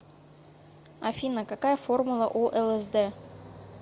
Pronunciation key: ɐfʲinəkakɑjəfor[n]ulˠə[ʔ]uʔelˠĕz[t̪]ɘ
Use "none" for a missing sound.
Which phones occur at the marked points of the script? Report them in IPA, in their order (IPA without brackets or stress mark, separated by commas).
m, ʔ, d̪